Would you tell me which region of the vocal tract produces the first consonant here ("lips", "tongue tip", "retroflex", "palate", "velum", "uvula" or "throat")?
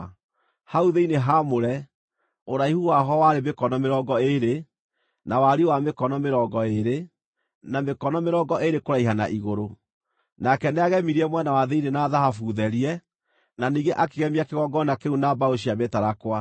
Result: throat